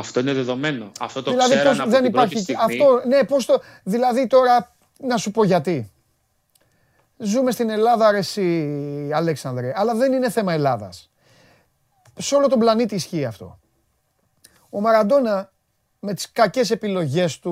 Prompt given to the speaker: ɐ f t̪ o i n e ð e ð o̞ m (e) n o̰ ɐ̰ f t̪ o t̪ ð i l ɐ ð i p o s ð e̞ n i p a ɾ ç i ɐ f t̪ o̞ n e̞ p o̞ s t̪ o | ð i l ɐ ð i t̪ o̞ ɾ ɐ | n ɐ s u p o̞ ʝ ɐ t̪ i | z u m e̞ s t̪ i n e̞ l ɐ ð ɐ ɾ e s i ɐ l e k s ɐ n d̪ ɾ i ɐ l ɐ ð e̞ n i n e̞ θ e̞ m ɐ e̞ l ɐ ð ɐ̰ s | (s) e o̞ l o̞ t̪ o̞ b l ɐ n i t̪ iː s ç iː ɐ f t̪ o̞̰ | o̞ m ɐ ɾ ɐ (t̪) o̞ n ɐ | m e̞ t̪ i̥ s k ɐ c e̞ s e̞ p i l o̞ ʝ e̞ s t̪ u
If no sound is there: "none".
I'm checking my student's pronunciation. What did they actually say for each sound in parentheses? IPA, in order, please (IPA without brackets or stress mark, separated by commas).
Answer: e, s, d̪